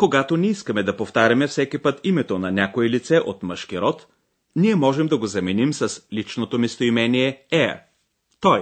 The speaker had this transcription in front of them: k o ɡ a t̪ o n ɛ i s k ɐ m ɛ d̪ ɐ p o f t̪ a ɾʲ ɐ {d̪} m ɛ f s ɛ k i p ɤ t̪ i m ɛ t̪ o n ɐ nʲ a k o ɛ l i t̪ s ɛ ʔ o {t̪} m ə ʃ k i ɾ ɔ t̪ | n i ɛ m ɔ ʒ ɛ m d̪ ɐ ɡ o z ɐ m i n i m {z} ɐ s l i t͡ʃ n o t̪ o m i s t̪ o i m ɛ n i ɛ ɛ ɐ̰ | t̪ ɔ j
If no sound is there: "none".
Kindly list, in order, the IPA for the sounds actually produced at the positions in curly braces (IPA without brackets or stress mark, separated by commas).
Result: none, t̪, s